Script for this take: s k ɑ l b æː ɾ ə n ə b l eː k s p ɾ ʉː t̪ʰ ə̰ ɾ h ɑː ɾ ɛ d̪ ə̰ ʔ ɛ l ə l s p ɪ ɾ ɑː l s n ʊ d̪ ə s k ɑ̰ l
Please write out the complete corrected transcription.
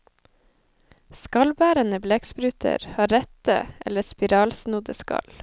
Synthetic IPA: s k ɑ l b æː ɾ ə n ə b l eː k s p ɾ ʉː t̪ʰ ə̰ ɾ h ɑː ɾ ɛ t̪ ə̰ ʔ ɛ l ə s p ɪ ɾ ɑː l s n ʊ d̪ ə s k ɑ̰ l